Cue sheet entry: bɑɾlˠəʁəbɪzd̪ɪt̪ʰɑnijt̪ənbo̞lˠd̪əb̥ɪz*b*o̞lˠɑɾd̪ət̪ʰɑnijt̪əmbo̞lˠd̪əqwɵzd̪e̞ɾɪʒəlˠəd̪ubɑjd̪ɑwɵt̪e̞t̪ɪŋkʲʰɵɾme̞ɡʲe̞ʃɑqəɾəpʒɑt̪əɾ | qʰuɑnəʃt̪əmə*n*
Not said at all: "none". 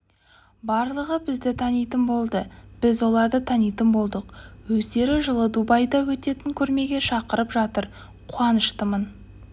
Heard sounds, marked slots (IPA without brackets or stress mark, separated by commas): w, n